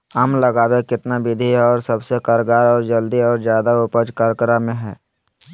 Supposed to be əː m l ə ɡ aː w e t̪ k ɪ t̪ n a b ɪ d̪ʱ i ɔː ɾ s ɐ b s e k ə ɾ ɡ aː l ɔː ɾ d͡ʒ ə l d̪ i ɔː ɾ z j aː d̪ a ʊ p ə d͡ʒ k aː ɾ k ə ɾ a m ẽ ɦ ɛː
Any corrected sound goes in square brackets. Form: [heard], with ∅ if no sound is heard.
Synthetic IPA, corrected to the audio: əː m l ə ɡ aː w e [∅] k ɪ t̪ n a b ɪ d̪ʱ i ɔː ɾ s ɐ b s e k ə ɾ ɡ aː [ɾ] ɔː ɾ d͡ʒ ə l d̪ i ɔː ɾ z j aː d̪ a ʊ p ə d͡ʒ k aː ɾ k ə ɾ a m ẽ ɦ ɛː

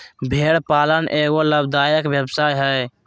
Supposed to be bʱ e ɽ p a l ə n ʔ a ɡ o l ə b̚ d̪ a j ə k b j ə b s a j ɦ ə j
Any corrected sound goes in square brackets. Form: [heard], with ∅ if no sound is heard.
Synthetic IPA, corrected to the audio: bʱ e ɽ p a l ə n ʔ [e] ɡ o l ə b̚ d̪ a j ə k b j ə b s a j ɦ ə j

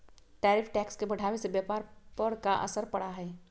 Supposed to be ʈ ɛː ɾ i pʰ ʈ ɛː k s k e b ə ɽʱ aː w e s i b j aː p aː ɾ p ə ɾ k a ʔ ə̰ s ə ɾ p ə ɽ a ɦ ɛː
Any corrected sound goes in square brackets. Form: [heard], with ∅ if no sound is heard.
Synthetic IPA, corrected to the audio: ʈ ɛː ɾ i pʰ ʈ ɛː k s k e b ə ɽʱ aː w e s [e] b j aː p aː ɾ p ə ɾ k a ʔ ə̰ s ə ɾ p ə ɽ a ɦ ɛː

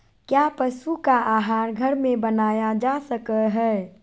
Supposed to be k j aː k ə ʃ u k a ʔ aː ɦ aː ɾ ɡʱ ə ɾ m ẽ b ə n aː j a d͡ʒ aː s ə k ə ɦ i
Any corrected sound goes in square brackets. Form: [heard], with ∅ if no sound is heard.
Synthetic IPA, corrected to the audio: k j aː [p] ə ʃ u k a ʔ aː ɦ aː ɾ ɡʱ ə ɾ m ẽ b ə n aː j a d͡ʒ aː s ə k ə ɦ [ɛ]

